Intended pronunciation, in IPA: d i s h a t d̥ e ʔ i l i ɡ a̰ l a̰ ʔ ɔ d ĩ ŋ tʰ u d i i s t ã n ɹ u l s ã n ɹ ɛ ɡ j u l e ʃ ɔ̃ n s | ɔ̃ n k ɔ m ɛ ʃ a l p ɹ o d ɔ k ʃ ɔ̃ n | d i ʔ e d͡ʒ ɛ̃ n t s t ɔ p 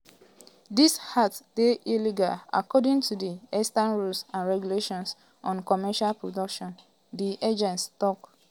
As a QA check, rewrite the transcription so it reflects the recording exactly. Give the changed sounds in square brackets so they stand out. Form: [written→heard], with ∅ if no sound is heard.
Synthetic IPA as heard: d i s h a t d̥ e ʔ i l i ɡ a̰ l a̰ [ʔ→k] ɔ d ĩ ŋ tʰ u d i [i→ɛ] s t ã n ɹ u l s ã n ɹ ɛ ɡ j u l e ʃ ɔ̃ n s | ɔ̃ n k ɔ m ɛ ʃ a l p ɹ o d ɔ k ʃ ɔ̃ n | d i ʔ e d͡ʒ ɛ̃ n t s t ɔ [p→k]